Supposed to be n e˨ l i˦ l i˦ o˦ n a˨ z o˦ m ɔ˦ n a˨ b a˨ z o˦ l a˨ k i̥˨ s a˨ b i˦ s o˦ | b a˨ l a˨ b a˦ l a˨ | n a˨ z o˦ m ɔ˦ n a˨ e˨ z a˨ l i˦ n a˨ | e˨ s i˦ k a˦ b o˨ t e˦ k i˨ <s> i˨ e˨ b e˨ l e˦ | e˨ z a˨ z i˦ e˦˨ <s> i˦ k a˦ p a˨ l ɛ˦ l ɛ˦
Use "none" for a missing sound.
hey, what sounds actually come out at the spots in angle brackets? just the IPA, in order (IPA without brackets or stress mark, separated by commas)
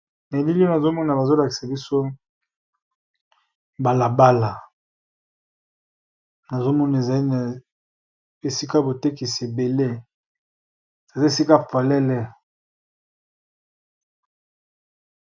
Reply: s, s